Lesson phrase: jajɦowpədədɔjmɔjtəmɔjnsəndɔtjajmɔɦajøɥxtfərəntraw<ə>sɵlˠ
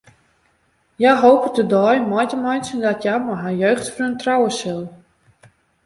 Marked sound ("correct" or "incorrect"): correct